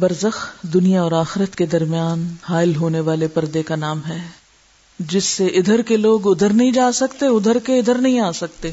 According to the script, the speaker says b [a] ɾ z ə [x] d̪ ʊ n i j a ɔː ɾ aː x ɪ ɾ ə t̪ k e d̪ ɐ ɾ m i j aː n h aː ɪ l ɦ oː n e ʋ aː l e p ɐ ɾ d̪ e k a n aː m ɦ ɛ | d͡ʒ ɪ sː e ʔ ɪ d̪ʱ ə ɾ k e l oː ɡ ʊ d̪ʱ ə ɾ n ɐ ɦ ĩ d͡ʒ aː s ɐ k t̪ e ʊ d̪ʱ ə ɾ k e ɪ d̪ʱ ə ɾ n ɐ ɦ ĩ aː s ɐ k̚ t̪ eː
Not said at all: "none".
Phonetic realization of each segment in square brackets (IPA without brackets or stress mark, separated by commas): ɐ, x